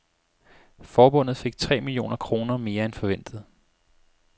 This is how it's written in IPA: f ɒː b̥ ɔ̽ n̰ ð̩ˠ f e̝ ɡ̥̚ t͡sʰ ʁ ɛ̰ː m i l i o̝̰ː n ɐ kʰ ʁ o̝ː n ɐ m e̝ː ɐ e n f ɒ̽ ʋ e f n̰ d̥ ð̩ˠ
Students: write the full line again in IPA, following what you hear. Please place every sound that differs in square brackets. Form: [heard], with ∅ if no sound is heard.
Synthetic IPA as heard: f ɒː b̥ ɔ̽ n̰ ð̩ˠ f e̝ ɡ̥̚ t͡sʰ ʁ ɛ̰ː m i l i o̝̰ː n ɐ kʰ ʁ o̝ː n ɐ m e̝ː ɐ e n f ɒ̽ ʋ e [∅] n̰ d̥ ð̩ˠ